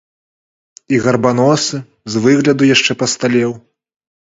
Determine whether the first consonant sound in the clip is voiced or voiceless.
voiced